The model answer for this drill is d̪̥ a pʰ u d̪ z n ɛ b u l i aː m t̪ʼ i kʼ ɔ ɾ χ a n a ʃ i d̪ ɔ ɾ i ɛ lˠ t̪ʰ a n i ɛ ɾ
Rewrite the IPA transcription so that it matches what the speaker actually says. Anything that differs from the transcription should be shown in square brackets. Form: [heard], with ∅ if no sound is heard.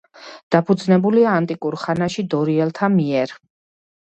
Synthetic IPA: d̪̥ a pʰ u d̪ z n ɛ b u l i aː [n] t̪ʼ i kʼ [u] ɾ χ a n a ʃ i d̪ ɔ ɾ i ɛ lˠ t̪ʰ a [m] i ɛ ɾ